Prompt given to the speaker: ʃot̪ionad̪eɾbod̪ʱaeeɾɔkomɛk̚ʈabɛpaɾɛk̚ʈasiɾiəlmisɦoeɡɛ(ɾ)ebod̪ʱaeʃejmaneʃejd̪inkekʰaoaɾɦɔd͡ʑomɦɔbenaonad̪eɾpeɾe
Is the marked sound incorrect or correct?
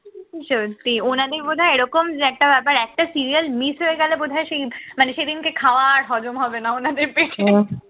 incorrect: l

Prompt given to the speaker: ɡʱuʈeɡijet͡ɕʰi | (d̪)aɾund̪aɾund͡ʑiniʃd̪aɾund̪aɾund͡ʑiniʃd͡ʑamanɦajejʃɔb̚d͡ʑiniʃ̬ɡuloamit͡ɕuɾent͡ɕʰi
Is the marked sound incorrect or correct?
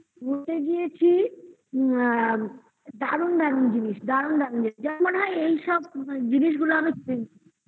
correct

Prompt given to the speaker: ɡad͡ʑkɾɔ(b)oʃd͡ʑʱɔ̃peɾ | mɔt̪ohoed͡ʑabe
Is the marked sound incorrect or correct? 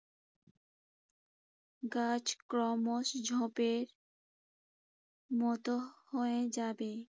incorrect: m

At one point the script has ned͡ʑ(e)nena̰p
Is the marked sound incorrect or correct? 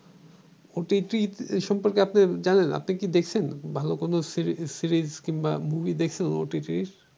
incorrect: a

